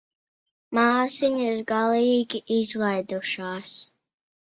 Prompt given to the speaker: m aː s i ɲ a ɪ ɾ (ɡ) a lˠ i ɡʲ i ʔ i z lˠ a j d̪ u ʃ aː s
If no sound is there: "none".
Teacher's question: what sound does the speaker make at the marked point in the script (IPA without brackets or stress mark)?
ɡ